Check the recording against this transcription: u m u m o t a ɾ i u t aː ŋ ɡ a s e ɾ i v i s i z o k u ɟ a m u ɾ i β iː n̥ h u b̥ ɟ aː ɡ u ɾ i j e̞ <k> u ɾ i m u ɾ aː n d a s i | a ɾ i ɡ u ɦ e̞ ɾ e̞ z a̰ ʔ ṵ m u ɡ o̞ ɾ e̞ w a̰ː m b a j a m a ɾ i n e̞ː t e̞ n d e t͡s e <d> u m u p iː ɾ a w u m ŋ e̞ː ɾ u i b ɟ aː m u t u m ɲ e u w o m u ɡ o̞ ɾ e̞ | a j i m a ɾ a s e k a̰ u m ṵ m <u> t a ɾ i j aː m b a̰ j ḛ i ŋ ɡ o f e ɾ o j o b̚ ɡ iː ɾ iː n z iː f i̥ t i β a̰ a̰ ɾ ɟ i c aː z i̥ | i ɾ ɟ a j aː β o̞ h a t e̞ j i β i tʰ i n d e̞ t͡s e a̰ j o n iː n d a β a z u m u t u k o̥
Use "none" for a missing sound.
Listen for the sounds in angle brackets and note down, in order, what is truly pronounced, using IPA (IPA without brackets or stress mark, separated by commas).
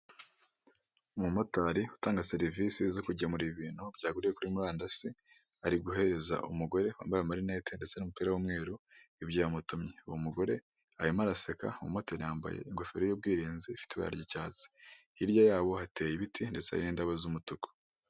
k, n, o